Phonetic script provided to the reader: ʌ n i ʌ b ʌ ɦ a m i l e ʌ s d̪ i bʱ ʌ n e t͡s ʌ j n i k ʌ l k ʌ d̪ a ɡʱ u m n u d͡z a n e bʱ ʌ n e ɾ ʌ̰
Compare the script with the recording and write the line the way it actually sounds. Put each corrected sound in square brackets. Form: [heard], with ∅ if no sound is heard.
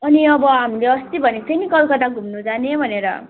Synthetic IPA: ʌ n i ʌ b ʌ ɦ a m i l e ʌ s [t̪] i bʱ ʌ n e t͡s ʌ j n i k ʌ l k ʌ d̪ a ɡʱ u m n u d͡z a n e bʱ ʌ n e ɾ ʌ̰